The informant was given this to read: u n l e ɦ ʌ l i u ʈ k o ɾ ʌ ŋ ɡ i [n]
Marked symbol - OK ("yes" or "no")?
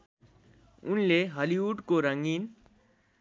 yes